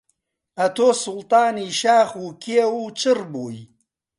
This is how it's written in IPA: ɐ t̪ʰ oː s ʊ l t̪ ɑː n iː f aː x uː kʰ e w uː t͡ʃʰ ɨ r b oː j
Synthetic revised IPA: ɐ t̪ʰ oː s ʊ l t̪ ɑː n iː ʃ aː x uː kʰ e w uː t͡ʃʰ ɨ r b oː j

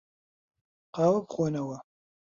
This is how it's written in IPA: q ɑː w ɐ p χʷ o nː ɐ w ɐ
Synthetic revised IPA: q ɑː w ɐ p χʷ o n ɐ w ɐ

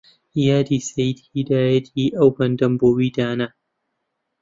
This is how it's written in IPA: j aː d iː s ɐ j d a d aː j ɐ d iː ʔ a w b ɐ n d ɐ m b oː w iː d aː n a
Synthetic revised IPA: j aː d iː s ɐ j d i d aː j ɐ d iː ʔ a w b ɐ n d ɐ m b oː w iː d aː n a

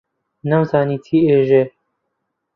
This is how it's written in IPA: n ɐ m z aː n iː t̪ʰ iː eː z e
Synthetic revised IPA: n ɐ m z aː n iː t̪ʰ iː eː ʒ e

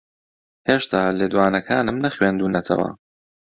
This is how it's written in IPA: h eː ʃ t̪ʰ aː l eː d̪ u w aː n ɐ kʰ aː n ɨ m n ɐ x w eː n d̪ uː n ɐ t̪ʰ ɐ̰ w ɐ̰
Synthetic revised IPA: h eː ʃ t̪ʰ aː l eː d̪ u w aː n ɐ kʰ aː n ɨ m n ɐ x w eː n d̪ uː n ɐ t̪ʰ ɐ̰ w ɐ̰

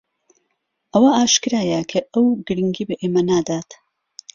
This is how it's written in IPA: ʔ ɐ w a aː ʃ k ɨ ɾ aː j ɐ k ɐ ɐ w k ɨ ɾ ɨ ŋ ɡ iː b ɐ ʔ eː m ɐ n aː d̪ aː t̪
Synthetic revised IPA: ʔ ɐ w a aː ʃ k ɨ ɾ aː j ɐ kʰ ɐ ɐ w ɡ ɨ ɾ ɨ ŋ ɡ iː b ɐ ʔ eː m ɐ n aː d̪ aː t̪

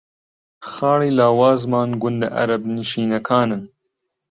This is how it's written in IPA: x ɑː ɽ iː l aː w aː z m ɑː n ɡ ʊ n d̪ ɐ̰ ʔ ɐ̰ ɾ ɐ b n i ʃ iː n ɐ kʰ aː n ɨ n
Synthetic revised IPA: x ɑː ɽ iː l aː w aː z m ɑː n ɡ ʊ n d̪ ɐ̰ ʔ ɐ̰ ɾ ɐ b n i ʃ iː n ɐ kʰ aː n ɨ n

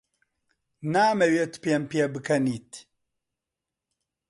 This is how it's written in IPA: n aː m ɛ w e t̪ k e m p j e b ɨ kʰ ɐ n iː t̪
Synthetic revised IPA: n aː m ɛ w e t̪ p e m p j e b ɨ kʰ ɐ n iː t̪

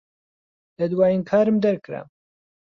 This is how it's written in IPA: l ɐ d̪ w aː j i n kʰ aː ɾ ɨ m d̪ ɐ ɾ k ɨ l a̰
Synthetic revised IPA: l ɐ d̪ w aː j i n kʰ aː ɾ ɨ m d̪ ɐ ɾ k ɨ ɾ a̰

